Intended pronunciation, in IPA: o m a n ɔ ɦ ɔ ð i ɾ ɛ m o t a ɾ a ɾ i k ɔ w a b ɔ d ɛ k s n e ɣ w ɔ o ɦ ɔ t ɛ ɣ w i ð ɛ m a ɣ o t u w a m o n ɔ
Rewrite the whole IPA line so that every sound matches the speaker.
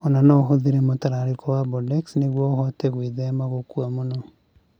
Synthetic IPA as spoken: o n a n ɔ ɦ o ð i ɾ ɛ m o t a ɾ a ɾ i k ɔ w a b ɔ d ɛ k s n e ɣ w ɔ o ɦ ɔ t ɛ ɣ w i ð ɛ m a ɣ o k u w a m o n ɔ